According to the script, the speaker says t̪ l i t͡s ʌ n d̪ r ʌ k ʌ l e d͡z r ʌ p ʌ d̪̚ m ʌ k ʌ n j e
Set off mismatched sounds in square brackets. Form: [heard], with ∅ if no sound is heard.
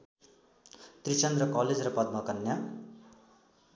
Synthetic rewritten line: t̪ [r] i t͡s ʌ n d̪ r ʌ k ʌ l e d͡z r ʌ p ʌ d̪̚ m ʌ k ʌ n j [a]